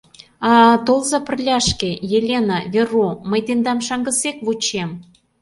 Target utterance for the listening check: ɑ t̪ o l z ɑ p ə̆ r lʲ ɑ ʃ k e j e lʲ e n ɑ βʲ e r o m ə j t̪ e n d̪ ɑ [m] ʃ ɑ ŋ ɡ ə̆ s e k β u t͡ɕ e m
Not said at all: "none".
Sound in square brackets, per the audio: m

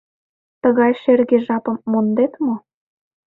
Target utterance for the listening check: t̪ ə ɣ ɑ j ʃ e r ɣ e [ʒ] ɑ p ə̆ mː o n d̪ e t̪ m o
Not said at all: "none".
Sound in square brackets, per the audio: ʒ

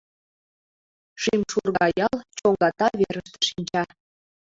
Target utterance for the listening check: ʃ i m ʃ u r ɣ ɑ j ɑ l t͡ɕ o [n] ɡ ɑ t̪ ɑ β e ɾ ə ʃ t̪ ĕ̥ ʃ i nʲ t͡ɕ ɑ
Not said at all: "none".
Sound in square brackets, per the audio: ŋ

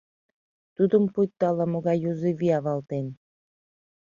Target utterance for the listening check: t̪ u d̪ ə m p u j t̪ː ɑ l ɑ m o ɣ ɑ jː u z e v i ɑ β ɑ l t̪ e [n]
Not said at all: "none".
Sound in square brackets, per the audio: n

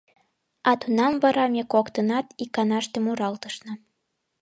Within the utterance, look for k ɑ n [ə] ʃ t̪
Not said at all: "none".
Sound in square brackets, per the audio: ɑ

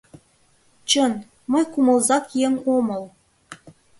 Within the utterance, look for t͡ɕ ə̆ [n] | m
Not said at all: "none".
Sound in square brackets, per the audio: n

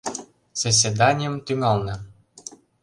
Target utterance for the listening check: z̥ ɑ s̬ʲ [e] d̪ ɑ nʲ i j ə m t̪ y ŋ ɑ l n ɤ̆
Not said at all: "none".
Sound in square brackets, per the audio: e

